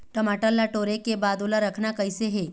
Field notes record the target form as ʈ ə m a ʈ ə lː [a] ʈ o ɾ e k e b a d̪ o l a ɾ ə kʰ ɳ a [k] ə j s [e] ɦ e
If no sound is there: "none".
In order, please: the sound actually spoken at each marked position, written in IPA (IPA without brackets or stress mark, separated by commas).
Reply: a, k, e